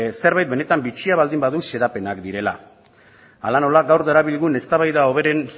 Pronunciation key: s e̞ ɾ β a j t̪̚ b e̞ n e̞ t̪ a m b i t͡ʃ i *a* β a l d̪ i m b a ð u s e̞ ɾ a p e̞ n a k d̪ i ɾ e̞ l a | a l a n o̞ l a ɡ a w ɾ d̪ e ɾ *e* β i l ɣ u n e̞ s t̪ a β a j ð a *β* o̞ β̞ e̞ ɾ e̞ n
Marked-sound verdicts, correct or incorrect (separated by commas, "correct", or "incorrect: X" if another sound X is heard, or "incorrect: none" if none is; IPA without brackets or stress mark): correct, incorrect: a, incorrect: none